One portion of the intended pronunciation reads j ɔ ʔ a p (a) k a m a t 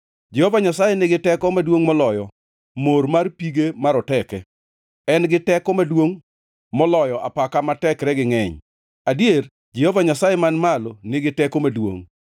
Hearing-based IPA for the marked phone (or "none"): a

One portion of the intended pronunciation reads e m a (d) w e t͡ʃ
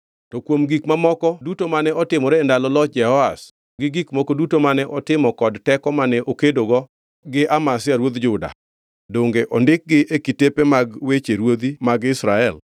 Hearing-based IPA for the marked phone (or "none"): ɡ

